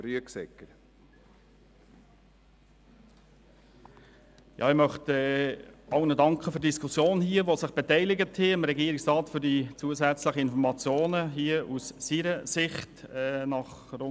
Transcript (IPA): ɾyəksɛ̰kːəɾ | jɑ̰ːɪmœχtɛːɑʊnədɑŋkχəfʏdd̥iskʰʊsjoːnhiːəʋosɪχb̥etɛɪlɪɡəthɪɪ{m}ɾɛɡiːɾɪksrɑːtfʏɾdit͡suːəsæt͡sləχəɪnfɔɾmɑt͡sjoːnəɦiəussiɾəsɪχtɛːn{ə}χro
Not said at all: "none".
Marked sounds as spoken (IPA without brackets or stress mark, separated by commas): m, ɑ